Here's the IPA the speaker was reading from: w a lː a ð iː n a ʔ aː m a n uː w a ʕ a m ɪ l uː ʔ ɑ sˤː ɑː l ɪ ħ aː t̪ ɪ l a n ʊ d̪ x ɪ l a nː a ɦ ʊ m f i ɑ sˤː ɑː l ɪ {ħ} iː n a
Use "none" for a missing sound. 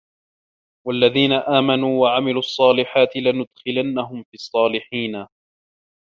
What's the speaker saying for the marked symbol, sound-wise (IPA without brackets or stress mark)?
ħ